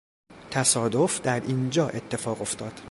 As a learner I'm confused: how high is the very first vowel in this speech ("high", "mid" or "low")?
low